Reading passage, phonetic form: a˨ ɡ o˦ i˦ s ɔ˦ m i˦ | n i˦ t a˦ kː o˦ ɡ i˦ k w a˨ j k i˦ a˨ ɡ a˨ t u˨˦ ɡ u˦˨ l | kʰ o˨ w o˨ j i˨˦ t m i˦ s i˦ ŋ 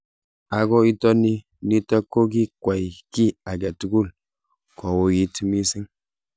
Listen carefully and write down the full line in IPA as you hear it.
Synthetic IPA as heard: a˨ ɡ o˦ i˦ t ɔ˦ n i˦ | n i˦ t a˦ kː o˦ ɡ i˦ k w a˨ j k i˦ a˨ ɡ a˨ t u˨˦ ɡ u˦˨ l | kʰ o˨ w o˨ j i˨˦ t m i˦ s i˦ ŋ

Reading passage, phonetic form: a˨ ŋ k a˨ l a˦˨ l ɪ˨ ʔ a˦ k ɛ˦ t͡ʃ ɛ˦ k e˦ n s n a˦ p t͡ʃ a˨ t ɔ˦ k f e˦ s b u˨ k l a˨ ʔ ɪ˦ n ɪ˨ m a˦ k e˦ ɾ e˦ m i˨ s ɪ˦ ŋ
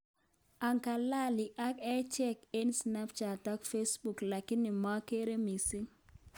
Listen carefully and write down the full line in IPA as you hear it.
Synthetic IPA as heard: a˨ ŋ k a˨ l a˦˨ l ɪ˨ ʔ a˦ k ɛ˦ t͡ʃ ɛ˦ k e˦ n s n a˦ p t͡ʃ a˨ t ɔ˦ k f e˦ s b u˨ k l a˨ k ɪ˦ n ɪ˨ m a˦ k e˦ ɾ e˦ m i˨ s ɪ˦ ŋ

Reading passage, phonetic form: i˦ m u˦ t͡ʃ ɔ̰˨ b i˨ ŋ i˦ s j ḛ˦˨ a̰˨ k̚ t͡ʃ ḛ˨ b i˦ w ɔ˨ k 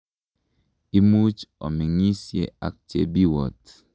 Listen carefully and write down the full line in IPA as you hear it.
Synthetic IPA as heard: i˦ m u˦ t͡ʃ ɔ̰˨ m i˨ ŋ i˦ s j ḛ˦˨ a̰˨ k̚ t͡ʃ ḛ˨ b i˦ w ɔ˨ t

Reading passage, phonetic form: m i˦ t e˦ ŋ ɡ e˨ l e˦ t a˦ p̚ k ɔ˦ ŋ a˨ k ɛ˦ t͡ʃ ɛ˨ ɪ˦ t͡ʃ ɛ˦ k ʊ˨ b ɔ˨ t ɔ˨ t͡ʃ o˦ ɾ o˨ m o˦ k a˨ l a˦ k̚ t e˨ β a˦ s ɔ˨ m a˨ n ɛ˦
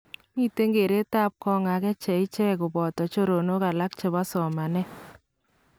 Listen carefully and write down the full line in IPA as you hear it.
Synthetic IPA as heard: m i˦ t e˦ ŋ ɡ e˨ ɾ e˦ t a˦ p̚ k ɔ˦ ŋ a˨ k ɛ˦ t͡ʃ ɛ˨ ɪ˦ t͡ʃ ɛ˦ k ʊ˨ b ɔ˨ t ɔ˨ t͡ʃ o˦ ɾ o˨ n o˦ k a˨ l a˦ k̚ t͡ʃ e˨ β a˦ s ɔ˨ m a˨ n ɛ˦

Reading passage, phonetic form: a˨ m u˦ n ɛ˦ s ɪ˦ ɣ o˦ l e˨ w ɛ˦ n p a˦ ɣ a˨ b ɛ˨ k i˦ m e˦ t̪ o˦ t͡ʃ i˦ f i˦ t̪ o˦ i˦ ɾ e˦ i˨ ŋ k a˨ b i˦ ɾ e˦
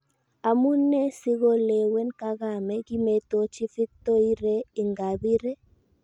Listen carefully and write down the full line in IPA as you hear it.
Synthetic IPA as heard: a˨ m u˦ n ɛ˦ s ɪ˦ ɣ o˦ l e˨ w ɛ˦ n k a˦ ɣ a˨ m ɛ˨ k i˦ m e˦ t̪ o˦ t͡ʃ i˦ f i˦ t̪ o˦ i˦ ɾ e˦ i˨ ŋ ɡ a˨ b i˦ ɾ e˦

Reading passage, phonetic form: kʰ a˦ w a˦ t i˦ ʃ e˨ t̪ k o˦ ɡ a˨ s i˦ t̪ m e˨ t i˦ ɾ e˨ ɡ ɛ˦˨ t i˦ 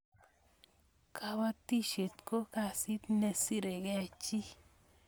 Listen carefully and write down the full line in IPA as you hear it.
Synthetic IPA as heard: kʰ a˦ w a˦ t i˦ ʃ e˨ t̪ k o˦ k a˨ s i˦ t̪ n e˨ s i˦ ɾ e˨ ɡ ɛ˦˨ t͡ʃ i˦

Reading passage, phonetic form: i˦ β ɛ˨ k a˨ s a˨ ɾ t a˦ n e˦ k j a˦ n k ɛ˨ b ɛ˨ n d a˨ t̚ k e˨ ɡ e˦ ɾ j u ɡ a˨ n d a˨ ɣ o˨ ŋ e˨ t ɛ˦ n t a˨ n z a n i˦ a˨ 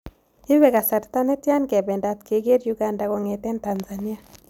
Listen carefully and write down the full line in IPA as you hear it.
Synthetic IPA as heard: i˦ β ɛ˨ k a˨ s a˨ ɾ t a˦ n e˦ t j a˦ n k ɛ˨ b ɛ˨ n d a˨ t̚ k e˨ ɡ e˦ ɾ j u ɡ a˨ n d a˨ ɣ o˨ ŋ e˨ t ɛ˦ n t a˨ n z a n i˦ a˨

